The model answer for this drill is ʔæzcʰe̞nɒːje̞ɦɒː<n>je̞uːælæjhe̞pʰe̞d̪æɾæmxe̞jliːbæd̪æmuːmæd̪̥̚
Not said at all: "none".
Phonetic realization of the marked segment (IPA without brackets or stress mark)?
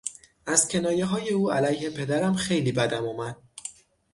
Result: none